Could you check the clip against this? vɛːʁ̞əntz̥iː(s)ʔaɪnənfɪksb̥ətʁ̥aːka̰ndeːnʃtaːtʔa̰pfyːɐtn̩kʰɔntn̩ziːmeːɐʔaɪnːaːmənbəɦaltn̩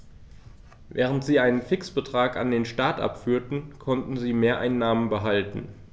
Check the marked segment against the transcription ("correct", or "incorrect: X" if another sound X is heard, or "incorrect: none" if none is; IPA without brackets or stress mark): incorrect: none